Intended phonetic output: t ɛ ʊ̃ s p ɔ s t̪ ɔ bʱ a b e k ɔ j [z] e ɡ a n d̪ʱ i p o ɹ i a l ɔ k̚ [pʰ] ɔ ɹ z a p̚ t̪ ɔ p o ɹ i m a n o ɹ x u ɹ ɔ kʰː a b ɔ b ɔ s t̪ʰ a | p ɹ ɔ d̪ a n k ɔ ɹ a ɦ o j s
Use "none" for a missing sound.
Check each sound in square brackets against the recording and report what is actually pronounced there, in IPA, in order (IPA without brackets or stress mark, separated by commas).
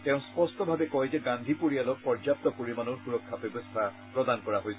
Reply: z, p